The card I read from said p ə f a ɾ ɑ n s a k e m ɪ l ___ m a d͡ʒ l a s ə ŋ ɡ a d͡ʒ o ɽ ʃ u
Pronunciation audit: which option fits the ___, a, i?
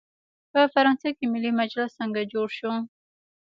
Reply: i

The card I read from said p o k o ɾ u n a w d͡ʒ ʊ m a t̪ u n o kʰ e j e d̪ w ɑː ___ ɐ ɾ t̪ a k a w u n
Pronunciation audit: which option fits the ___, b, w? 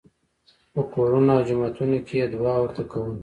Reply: w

